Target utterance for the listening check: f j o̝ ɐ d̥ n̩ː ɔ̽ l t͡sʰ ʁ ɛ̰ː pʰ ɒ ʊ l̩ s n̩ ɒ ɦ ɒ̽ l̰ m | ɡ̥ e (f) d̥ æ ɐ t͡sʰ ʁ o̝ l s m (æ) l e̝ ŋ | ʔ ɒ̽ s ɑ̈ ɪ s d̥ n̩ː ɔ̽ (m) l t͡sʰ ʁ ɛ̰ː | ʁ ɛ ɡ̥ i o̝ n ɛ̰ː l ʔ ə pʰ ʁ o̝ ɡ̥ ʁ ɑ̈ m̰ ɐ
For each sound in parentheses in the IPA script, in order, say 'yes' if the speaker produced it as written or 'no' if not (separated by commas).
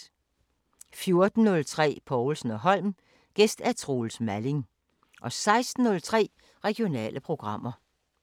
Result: no, yes, no